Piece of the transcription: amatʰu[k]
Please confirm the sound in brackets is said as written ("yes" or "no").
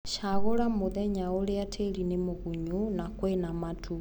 no